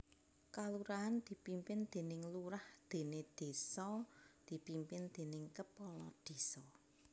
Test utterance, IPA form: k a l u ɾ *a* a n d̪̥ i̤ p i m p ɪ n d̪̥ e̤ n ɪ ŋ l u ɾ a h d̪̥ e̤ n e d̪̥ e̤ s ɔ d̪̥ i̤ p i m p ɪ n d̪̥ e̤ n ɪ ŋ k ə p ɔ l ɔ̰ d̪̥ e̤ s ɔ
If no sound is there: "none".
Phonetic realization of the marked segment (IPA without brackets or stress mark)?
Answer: a